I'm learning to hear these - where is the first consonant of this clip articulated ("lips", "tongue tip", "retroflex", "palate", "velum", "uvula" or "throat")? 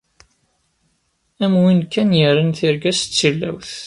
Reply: lips